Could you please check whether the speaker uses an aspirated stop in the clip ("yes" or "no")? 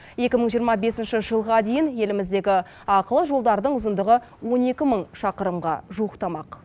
no